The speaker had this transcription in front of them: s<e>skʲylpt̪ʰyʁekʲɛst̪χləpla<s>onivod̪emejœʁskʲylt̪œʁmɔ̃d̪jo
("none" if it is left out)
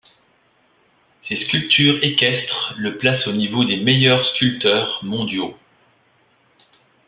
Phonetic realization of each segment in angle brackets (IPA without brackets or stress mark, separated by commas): e, s